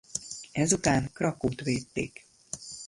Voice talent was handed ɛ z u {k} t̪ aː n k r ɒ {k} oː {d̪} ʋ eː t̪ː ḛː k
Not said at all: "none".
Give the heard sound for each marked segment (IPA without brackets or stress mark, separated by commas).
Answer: none, k, t̪